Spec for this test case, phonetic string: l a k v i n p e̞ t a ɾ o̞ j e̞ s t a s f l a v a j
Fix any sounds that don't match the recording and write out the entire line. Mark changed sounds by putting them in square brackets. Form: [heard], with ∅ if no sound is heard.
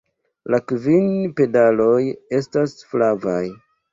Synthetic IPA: l a k v i n p e̞ [d] a [l] o̞ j e̞ s t a s f l a v a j